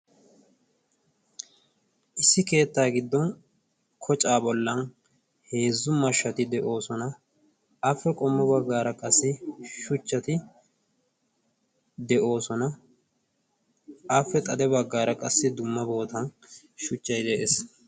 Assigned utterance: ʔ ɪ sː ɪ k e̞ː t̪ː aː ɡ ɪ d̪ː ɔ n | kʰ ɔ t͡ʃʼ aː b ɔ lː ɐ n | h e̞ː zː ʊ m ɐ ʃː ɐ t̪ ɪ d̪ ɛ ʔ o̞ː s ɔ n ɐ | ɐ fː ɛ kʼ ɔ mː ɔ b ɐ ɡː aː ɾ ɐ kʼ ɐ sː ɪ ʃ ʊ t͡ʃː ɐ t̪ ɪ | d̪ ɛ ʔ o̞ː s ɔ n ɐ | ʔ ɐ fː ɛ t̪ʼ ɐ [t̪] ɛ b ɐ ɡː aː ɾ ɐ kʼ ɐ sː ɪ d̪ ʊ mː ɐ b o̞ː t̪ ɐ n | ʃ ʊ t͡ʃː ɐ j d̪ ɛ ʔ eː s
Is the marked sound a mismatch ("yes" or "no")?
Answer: yes